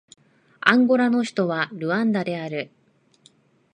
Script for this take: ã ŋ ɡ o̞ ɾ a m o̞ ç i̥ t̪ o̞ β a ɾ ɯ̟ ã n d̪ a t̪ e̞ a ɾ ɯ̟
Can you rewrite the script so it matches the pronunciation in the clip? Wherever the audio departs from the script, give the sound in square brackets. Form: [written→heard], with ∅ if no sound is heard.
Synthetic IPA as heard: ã ŋ ɡ o̞ ɾ a [m→n] o̞ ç i̥ t̪ o̞ β a ɾ ɯ̟ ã n d̪ a [t̪→d̪] e̞ a ɾ ɯ̟